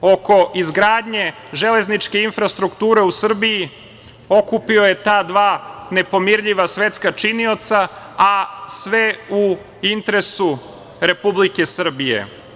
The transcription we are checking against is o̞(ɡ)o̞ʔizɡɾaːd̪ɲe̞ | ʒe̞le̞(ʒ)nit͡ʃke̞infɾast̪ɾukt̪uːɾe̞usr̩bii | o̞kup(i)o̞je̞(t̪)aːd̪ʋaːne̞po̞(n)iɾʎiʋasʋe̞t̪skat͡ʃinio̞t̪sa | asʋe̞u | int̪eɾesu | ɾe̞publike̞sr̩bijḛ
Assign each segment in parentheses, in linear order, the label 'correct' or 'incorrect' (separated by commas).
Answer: incorrect, incorrect, correct, correct, incorrect